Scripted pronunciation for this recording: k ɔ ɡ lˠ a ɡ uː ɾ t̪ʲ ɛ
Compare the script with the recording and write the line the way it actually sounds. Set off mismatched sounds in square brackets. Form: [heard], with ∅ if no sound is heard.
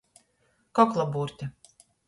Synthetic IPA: k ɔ [k] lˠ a [b] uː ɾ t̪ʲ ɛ